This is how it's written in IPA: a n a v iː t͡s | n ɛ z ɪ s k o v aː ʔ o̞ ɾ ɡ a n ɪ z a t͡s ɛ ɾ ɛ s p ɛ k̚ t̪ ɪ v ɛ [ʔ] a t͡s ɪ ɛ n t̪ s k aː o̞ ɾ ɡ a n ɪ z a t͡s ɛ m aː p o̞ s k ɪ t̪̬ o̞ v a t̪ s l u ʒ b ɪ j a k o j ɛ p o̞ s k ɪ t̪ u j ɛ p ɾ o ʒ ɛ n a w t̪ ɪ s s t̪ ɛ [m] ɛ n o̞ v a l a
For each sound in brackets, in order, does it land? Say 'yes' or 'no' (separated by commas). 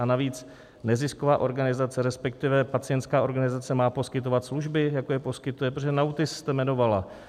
no, yes